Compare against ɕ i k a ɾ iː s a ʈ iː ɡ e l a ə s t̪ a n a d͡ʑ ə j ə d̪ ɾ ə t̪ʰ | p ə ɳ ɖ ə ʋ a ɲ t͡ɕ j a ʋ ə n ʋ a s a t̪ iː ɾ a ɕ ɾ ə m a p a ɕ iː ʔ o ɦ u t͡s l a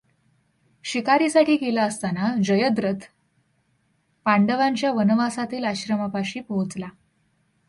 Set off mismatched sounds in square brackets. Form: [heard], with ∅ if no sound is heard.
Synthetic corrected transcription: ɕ i k a ɾ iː s a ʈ iː [k] e l a ə s t̪ a n a d͡ʑ ə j ə d̪ ɾ ə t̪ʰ | p [a] ɳ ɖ ə ʋ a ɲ t͡ɕ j a ʋ ə n ʋ a s a t̪ iː [l] a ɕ ɾ ə m a p a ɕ iː [p] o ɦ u t͡s l a